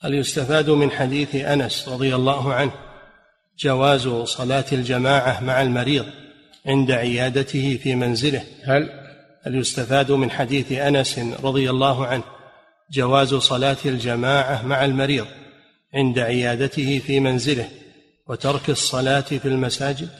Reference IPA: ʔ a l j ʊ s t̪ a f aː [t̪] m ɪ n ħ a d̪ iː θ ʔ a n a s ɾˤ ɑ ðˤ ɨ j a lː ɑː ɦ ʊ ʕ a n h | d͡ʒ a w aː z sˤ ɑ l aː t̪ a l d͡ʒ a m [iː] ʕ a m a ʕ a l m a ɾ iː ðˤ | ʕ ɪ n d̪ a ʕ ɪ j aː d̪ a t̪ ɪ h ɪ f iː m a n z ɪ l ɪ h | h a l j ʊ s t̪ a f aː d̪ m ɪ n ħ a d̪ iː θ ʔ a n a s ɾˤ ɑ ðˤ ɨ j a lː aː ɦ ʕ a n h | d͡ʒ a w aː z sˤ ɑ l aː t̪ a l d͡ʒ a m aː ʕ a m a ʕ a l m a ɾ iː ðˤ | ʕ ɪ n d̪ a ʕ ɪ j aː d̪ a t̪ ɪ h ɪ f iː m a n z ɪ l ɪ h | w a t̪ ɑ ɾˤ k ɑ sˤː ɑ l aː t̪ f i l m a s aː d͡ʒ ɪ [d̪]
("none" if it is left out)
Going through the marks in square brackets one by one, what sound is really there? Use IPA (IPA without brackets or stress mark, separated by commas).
d̪, aː, d̪